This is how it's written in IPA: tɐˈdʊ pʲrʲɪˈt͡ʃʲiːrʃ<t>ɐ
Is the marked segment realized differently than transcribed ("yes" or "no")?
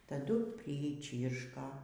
yes